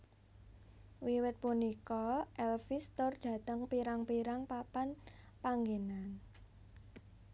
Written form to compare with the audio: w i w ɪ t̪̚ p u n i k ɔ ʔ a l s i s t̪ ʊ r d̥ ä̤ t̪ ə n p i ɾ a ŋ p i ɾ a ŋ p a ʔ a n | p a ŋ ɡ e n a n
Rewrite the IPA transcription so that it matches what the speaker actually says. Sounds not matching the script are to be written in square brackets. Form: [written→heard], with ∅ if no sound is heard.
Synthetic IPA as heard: w i w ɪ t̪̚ p u n i k ɔ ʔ [a→ɛ] l [s→f] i s t̪ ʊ r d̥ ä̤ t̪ ə [n→ŋ] p i ɾ a ŋ p i ɾ a ŋ p a [ʔ→p] a n | p a ŋ ɡ e n a n